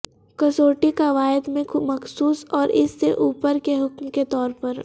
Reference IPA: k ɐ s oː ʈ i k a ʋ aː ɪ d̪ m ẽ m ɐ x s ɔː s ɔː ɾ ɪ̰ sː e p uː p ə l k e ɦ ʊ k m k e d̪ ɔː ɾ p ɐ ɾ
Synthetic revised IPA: k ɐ s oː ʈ i k a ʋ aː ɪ d̪ m ẽ m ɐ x s uː s ɔː ɾ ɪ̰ sː e ʔ uː p ə ɾ k e ɦ ʊ k m k e t̪ ɔː ɾ p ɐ ɾ